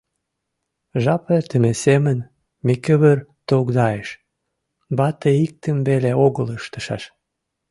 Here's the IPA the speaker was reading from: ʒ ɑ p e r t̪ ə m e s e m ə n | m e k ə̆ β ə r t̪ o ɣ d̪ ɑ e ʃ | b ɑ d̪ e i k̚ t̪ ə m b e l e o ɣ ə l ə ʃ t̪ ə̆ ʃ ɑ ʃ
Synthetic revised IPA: ʒ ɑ p e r t̪ ə m e s e m ə n | m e k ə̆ β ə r t̪ o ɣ d̪ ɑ e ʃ | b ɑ t̪ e i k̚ t̪ ə m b e l e o ɣ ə l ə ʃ t̪ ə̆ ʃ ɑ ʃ